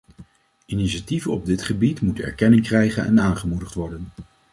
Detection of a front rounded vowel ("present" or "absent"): absent